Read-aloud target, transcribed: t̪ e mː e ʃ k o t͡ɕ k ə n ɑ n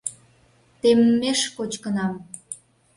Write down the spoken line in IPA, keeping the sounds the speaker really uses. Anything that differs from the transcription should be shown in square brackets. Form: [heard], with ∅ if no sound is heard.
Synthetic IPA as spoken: t̪ e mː e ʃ k o t͡ɕ k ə n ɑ [m]